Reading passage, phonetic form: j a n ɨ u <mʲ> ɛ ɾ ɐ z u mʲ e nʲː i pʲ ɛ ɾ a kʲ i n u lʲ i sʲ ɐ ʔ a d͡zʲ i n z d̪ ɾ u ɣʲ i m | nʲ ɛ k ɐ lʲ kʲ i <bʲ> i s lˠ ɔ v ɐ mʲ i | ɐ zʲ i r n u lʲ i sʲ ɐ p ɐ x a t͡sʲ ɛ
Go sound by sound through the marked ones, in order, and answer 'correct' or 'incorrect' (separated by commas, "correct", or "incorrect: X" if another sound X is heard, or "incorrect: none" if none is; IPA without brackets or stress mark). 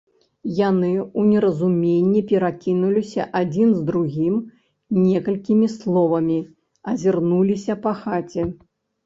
incorrect: nʲ, incorrect: mʲ